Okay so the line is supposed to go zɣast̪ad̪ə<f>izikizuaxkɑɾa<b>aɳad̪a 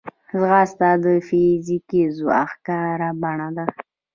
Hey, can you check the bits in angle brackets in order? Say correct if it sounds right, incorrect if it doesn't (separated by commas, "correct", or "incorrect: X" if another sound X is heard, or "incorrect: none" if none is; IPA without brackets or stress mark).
correct, correct